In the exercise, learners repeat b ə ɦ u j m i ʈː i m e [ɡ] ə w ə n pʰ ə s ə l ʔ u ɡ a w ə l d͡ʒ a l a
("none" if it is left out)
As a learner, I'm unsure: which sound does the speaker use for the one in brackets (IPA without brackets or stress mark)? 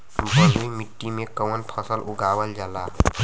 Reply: k